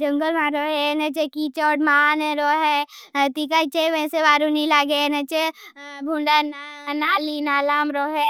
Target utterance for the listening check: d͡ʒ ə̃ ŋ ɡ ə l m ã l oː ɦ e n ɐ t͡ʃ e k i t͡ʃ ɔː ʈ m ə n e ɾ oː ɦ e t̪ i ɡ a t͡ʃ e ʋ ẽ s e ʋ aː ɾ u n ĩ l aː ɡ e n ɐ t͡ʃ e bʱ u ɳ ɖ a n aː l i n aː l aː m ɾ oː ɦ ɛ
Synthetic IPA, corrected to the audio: d͡ʒ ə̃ ŋ ɡ ə l m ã ɾ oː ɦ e n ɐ t͡ʃ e k i t͡ʃ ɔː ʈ m a n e ɾ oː ɦ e t̪ i k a t͡ʃ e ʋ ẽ s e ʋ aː ɾ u n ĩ l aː ɡ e n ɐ t͡ʃ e bʱ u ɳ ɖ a n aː l i n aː l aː m ɾ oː ɦ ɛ